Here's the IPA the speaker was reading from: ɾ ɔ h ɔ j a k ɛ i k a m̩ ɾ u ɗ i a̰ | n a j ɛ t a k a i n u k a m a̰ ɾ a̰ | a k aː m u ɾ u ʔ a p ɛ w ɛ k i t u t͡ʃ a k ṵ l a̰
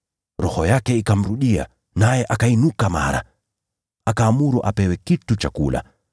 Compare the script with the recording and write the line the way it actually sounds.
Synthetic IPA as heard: ɾ ɔ h ɔ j a k ɛ i k a m̩ ɾ u ɗ i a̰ | n a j ɛ ʔ a k a i n u k a m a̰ ɾ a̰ | a k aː m u ɾ u ʔ a p ɛ w ɛ k i t u t͡ʃ a k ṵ l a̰